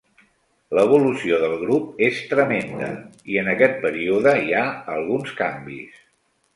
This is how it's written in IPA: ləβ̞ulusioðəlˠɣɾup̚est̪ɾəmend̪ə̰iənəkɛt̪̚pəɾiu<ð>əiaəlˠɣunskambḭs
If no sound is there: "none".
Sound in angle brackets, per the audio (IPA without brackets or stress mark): ð